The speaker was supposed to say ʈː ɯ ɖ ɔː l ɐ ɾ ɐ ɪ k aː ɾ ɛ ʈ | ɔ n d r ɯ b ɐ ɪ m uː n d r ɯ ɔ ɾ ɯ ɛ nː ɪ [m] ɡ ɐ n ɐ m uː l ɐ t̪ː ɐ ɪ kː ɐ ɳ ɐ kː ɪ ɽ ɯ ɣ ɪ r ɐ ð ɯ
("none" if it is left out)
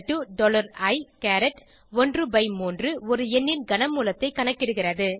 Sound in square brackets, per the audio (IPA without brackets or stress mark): n